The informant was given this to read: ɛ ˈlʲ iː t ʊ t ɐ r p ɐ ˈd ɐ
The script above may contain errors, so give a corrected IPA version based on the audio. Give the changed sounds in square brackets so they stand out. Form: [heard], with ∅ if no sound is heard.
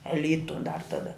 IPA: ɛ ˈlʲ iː t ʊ [d] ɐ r [t] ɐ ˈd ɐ